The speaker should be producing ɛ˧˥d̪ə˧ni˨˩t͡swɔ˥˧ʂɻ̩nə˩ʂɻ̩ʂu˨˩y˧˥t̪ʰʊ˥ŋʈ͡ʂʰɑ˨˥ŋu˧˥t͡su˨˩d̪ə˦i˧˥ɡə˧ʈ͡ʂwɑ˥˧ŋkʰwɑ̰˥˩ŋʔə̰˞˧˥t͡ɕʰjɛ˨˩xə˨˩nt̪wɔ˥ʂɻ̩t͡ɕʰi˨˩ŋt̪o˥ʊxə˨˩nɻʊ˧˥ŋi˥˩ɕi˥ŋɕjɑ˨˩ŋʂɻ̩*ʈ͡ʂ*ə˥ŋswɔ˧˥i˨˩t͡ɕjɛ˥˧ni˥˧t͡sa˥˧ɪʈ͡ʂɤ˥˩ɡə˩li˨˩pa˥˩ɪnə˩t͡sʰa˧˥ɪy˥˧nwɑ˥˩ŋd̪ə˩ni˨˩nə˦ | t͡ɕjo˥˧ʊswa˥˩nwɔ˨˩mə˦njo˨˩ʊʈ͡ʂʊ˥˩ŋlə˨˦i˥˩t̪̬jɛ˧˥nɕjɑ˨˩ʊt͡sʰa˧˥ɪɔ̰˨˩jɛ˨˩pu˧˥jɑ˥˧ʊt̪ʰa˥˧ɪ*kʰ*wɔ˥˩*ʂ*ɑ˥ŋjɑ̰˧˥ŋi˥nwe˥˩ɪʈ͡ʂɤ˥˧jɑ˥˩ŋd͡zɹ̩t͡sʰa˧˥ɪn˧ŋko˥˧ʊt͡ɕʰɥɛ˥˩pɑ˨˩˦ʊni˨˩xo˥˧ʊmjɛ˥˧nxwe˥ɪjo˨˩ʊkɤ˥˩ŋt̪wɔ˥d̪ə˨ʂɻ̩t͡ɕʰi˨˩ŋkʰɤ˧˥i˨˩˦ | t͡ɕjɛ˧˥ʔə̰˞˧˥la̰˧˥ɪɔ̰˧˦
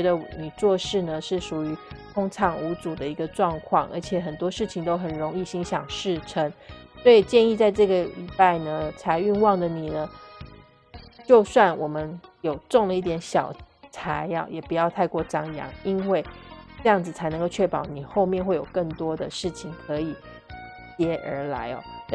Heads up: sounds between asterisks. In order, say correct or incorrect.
incorrect: ʈ͡ʂʰ, incorrect: k, incorrect: ʈ͡ʂ

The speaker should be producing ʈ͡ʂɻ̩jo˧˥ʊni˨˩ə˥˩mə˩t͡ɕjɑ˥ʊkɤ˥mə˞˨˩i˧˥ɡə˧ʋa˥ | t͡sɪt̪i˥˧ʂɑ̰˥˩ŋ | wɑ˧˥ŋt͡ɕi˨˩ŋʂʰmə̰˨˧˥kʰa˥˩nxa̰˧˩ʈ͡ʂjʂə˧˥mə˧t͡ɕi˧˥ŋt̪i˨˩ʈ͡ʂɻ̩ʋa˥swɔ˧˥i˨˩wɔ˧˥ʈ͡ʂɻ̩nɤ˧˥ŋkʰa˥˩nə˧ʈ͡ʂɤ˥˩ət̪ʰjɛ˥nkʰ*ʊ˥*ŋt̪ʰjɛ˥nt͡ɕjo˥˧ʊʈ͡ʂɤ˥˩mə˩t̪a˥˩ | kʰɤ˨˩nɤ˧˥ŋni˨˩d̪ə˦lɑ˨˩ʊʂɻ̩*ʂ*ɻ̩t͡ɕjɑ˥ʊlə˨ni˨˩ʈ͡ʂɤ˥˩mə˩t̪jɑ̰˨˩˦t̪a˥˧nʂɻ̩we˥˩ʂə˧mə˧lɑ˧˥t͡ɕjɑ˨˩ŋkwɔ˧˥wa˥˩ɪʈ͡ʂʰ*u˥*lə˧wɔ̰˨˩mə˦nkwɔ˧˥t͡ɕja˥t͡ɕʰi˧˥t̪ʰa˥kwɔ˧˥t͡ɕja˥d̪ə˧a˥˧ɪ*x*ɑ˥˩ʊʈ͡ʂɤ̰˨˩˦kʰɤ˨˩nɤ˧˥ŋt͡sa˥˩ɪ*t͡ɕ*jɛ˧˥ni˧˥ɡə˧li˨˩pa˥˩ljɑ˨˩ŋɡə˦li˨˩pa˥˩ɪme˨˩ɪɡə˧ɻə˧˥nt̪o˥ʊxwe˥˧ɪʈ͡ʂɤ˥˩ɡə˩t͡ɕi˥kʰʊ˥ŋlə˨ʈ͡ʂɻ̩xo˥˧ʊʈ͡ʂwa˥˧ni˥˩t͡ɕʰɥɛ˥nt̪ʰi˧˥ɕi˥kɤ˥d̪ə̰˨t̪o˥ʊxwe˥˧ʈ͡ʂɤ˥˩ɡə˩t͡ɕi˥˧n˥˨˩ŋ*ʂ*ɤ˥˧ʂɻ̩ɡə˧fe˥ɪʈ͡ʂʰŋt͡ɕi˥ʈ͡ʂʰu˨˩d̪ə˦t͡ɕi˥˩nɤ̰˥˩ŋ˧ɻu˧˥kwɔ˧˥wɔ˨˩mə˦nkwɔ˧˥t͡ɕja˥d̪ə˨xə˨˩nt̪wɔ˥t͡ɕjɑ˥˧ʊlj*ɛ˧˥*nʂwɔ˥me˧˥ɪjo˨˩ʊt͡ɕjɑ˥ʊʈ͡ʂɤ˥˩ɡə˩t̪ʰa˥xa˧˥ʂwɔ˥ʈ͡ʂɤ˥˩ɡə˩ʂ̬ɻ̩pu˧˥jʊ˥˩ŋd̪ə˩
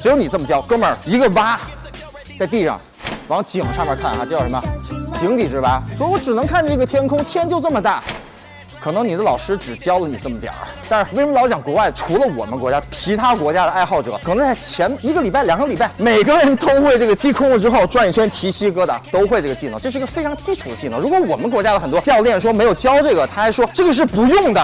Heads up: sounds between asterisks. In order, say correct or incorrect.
correct, incorrect: ʈ͡ʂ, incorrect: u˧˥, correct, incorrect: t͡ɕʰ, incorrect: ʈ͡ʂ, incorrect: ɛ˥˩

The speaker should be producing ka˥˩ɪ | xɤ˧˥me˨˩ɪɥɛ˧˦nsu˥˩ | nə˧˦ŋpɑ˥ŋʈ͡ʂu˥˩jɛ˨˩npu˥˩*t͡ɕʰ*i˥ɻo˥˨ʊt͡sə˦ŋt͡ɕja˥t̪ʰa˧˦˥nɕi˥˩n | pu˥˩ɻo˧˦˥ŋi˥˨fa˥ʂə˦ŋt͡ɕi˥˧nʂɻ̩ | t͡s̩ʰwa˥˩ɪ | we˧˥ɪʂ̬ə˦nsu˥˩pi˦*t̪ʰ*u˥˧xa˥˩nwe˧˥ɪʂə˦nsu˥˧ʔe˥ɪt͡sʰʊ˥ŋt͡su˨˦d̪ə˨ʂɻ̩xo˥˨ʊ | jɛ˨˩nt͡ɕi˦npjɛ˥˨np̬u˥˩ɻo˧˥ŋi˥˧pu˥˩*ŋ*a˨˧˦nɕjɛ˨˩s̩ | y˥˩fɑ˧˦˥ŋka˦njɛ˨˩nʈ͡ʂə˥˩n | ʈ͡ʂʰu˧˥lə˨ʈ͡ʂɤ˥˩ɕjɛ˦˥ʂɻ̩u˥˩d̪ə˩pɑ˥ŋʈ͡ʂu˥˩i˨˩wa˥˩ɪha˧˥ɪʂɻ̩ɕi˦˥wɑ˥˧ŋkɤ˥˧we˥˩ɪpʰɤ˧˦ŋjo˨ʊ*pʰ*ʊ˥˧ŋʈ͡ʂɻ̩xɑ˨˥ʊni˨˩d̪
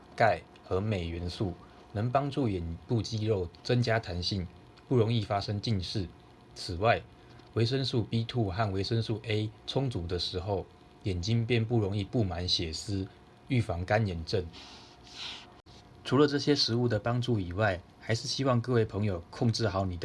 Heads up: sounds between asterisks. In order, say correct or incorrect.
incorrect: t͡ɕ, correct, incorrect: m, incorrect: kʰ

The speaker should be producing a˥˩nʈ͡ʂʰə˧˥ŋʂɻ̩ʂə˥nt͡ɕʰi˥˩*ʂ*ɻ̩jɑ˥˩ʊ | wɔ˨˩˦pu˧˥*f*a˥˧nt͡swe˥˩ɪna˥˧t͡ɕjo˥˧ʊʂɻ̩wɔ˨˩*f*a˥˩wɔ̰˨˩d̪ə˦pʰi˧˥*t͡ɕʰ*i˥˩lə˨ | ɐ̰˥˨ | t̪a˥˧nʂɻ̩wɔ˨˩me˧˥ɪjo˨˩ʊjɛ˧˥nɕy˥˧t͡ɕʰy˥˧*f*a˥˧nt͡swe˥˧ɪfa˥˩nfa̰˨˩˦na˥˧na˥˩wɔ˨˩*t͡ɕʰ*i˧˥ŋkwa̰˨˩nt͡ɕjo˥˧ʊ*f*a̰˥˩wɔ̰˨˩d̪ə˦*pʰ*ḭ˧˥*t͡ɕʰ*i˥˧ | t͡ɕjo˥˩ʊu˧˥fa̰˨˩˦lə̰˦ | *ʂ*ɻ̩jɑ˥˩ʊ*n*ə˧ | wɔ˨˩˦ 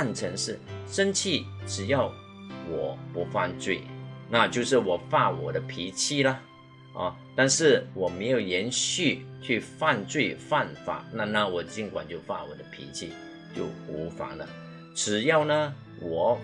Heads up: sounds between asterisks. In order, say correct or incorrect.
incorrect: ʈ͡ʂ, correct, correct, correct, correct, incorrect: t͡ɕ, correct, correct, correct, incorrect: ʈ͡ʂ, correct

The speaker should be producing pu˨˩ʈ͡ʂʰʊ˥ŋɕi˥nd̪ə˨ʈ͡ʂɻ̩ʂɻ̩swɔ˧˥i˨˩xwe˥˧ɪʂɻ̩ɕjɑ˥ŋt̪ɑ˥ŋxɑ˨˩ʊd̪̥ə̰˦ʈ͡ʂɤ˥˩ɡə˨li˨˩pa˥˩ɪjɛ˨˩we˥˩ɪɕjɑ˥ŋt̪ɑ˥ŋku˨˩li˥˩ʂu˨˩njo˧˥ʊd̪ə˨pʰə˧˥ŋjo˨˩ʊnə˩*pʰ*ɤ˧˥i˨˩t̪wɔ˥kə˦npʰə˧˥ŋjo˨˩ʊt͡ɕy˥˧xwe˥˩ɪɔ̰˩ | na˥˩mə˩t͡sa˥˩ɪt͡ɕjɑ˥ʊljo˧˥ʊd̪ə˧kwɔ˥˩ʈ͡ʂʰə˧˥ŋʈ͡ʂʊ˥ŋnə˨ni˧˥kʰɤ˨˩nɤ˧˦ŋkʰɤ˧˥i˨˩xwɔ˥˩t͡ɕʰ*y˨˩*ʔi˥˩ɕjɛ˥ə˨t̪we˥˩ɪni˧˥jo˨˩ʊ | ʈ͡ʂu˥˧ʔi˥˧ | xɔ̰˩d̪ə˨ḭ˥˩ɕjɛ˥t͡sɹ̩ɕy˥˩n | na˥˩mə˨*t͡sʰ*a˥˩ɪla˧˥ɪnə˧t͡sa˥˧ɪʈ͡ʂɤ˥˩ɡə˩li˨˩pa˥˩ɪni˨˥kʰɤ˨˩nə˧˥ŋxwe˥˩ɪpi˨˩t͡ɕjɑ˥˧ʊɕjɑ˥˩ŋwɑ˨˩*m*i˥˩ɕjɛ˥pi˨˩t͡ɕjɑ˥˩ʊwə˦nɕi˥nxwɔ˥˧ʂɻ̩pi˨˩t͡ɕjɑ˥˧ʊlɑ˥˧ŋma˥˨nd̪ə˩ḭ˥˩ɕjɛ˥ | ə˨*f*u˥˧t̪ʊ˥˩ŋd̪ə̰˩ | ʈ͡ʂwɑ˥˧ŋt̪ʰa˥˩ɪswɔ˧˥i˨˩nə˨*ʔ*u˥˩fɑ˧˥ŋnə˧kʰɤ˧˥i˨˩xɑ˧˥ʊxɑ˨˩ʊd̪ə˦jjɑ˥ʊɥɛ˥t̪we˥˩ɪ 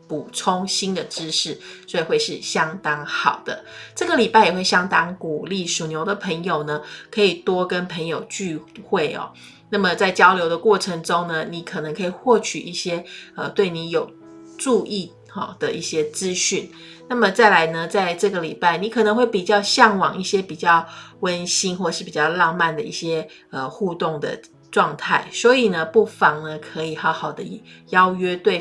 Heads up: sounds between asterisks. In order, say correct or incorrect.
incorrect: kʰ, correct, incorrect: t͡s, incorrect: ŋ, incorrect: x, incorrect: p

